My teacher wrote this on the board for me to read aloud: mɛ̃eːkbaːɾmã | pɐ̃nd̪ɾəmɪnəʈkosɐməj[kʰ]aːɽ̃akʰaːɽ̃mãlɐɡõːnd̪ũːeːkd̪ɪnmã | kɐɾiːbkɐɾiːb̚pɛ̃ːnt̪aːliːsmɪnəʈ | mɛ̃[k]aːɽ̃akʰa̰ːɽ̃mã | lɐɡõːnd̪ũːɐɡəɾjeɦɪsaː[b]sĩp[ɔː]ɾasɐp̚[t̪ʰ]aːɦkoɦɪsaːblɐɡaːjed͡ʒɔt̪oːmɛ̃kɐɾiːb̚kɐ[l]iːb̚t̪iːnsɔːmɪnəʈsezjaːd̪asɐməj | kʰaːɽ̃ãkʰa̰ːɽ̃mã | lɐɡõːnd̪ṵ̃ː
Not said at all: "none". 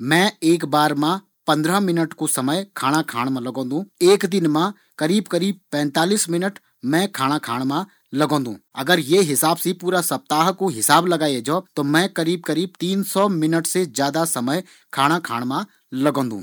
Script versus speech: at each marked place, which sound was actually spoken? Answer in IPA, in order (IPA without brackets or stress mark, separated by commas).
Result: kʰ, kʰ, b, uː, t̪, ɾ